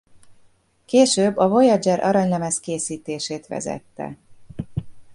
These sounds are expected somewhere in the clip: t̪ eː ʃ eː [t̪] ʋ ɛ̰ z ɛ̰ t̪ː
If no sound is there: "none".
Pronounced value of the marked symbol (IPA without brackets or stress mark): t̪